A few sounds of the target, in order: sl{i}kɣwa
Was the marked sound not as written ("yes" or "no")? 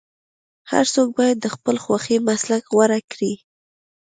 yes